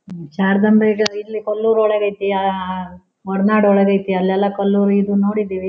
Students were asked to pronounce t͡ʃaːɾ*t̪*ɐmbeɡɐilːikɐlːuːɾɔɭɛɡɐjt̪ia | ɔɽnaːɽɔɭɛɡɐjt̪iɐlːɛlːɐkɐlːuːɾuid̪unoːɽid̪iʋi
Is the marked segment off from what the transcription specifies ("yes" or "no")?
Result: yes